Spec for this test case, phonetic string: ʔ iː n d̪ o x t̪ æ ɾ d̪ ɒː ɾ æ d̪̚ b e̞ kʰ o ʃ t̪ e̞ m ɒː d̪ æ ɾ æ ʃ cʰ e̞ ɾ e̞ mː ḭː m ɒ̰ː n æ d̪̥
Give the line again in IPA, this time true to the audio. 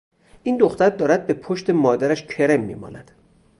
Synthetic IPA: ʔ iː n d̪ o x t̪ æ ɾ d̪ ɒː ɾ æ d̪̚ b e̞ pʰ o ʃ t̪ e̞ m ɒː d̪ æ ɾ æ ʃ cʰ e̞ ɾ e̞ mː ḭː m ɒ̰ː n æ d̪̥